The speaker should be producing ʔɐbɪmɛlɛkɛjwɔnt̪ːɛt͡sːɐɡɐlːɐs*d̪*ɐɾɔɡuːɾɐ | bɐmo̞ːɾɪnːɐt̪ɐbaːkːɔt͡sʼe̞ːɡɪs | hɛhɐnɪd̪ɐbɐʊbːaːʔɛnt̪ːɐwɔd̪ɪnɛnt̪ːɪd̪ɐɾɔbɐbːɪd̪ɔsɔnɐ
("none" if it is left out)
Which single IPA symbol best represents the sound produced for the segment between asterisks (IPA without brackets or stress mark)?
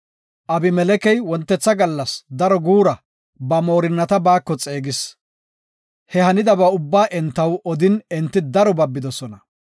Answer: d̪